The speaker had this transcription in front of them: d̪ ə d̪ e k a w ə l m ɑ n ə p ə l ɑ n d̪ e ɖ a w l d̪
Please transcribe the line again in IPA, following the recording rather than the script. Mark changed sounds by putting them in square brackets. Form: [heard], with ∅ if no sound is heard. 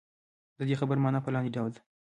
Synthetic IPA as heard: d̪ ə d̪ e [x] a [b] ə [ɾ] m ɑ n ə p ə l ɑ n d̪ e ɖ a w l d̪